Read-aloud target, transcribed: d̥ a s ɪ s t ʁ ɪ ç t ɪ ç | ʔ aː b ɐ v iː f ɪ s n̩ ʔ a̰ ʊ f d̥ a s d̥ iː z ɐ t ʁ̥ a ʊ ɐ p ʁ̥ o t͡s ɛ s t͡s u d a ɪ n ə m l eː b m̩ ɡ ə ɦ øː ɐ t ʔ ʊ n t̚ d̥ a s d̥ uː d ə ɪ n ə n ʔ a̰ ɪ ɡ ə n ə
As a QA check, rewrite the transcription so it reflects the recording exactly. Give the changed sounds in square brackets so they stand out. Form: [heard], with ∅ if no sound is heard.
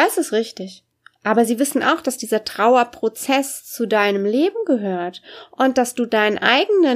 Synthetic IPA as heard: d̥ a s ɪ s t ʁ ɪ ç t ɪ ç | ʔ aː b ɐ [z] iː [v] ɪ s n̩ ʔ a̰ ʊ [x] d̥ a s d̥ iː z ɐ t ʁ̥ a ʊ ɐ p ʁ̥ o t͡s ɛ s t͡s u d a ɪ n ə m l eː b m̩ ɡ ə ɦ øː ɐ t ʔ ʊ n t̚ d̥ a s d̥ uː d [a] ɪ n ə n ʔ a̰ ɪ ɡ ə n ə